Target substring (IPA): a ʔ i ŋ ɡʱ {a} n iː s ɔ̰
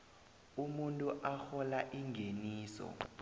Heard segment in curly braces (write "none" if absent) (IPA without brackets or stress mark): e